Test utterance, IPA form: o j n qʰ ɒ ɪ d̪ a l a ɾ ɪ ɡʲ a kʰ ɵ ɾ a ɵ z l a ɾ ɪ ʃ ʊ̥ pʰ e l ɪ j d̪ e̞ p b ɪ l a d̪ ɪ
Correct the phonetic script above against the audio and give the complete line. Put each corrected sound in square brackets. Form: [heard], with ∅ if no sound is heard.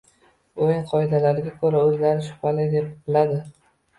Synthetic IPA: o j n qʰ ɒ ɪ d̪ a l a ɾ ɪ ɡʲ a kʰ ɵ ɾ a ɵ z l a ɾ ɪ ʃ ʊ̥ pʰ [a] l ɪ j d̪ e̞ p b ɪ l a d̪ ɪ